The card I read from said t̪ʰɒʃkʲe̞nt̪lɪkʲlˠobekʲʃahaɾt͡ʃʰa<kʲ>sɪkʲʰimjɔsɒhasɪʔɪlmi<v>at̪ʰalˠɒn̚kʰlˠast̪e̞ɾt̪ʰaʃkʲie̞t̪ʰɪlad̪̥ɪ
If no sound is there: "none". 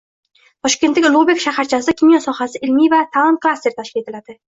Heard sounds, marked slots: none, v

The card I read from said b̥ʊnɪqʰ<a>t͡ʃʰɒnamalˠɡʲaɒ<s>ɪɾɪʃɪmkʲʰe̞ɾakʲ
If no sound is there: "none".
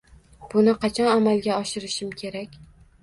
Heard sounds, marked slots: ɑ, ʃ

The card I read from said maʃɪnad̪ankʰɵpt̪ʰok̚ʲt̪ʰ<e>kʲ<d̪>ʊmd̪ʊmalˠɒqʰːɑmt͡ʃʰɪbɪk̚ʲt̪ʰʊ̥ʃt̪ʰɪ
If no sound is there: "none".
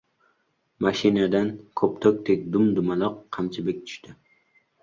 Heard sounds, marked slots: e, d̪

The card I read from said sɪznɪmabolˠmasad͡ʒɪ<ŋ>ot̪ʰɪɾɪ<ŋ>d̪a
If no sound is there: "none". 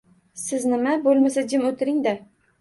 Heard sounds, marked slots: m, ŋ

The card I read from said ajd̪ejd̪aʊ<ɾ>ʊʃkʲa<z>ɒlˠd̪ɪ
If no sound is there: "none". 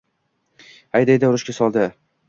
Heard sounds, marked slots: ɾ, s

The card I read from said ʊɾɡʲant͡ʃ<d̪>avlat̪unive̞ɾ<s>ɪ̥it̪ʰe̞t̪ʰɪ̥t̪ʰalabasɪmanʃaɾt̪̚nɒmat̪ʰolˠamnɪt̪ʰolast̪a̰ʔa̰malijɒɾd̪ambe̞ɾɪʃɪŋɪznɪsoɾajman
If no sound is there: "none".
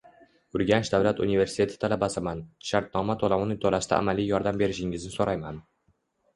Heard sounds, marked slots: d̪, s

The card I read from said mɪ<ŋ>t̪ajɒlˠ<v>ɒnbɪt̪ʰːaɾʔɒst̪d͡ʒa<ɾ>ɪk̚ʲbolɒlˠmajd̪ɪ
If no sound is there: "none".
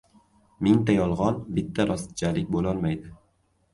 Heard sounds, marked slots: ŋ, ʁ, l

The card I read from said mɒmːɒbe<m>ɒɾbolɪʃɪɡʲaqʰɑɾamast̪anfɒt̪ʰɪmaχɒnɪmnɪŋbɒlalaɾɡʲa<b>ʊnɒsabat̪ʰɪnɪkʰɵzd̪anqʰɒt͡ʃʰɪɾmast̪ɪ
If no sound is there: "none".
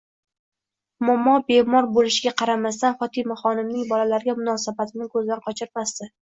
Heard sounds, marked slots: m, m

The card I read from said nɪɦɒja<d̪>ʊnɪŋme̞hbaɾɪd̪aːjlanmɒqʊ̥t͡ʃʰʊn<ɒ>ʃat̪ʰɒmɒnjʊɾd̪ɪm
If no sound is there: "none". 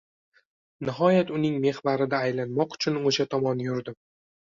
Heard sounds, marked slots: t̪, o

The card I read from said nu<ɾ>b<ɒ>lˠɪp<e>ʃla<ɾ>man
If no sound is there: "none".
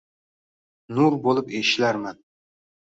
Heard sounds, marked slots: ɾ, o, e, ɾ

